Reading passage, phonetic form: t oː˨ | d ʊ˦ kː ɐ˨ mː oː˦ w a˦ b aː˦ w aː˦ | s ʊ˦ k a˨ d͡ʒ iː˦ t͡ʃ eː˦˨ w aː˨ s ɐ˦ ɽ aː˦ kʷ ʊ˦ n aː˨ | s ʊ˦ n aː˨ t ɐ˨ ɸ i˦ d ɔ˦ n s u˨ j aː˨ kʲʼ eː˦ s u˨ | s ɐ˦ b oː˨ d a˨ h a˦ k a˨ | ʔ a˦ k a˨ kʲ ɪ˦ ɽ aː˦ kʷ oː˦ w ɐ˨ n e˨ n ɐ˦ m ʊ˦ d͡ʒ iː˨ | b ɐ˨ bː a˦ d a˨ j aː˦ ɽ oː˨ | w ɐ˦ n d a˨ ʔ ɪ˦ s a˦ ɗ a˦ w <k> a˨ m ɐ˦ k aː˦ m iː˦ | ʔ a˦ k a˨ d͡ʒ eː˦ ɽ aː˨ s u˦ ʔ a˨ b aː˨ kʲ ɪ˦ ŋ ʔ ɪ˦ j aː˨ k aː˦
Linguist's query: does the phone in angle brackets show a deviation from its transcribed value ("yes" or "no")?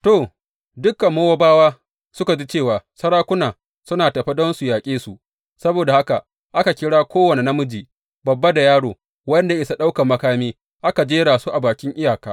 no